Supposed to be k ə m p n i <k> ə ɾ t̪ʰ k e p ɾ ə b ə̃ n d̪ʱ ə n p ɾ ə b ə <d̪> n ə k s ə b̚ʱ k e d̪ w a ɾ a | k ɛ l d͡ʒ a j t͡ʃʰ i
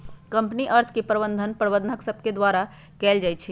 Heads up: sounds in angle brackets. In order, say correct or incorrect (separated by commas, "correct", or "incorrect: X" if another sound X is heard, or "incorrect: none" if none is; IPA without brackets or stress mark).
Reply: incorrect: ʔ, correct